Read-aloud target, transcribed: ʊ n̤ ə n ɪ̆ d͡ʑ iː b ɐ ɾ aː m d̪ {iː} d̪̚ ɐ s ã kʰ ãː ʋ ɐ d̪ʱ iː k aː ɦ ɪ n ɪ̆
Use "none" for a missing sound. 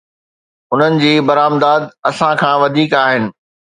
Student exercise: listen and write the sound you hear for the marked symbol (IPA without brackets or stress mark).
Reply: aː